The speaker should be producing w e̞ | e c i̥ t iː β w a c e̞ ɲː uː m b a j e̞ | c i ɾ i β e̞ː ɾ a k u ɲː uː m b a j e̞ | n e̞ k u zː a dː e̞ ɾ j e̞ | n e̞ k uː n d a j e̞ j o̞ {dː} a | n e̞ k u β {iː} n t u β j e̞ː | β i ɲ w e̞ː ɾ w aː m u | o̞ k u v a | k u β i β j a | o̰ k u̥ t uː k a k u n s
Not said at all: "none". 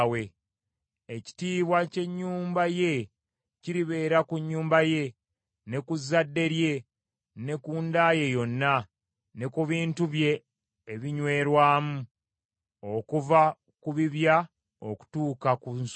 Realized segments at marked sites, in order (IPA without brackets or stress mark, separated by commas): nː, iː